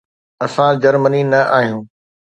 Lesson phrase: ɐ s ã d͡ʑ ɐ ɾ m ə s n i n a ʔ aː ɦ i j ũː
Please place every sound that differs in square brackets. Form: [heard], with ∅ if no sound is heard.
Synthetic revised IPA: ɐ s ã d͡ʑ ɐ ɾ m ə [∅] n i n [ɐ] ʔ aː ɦ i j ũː